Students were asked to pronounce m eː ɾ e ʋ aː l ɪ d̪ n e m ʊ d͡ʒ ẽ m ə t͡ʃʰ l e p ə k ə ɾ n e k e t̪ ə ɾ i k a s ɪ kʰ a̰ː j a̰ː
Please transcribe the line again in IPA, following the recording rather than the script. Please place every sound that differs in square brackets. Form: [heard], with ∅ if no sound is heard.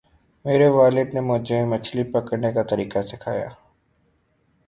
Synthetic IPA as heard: m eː ɾ e ʋ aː l ɪ d̪ n e m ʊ d͡ʒ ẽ m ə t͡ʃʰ l [i] p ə k ə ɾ n e k [a] t̪ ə ɾ [iː] k a s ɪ kʰ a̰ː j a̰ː